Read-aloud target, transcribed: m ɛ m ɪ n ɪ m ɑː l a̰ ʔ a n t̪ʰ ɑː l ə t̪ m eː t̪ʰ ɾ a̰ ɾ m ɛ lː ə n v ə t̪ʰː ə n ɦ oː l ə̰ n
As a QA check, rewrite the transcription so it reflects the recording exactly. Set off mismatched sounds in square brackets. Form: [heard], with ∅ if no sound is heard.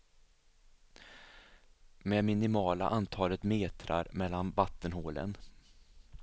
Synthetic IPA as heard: m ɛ m ɪ n ɪ m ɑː l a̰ ʔ a n t̪ʰ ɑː l ə t̪ m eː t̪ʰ ɾ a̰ ɾ m ɛ lː [a] n v [a] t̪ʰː ə n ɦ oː l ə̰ n